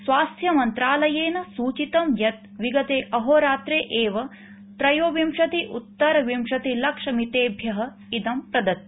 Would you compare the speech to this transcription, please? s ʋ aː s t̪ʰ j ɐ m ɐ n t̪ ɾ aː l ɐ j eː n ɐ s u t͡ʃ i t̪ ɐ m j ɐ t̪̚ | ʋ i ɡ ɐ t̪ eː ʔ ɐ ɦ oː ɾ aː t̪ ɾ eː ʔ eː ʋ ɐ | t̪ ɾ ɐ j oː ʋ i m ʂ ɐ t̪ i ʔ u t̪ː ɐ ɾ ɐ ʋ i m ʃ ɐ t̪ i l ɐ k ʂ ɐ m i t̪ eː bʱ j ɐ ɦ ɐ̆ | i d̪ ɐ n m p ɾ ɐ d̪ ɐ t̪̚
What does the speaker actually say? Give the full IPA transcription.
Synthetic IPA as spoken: s ʋ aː s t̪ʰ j ɐ m ɐ n t̪ ɾ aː l ɐ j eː n ɐ s uː t͡ʃ i t̪ ɐ m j ɐ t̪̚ | ʋ i ɡ ɐ t̪ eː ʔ ɐ ɦ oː ɾ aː t̪ ɾ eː ʔ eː ʋ ɐ | t̪ ɾ ɐ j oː ʋ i m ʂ ɐ t̪ i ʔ u t̪ː ɐ ɾ ɐ ʋ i m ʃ ɐ t̪ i l ɐ k ʂ ɐ m i t̪ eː bʱ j ɐ ɦ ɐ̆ | i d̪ ɐ m p ɾ ɐ d̪ ɐ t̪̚